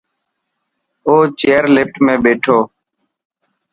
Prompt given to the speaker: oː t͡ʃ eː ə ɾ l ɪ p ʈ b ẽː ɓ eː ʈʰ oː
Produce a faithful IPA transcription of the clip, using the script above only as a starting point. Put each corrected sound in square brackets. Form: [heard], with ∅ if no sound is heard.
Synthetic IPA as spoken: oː t͡ʃ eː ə ɾ l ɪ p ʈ [m] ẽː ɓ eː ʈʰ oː